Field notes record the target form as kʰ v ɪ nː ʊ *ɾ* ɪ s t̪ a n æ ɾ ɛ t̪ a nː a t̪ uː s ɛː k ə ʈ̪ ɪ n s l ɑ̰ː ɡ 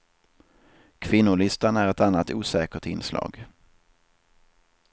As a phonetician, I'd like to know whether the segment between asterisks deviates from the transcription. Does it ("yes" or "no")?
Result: yes